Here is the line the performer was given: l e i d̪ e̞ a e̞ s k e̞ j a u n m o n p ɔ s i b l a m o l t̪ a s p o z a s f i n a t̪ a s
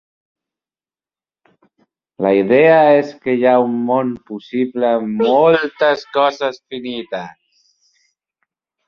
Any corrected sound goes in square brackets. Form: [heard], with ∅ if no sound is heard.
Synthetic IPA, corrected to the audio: l [a] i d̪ e̞ a e̞ s k e̞ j a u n m o n p [u] s i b l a m o l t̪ a s [k] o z a s f i n [i] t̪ a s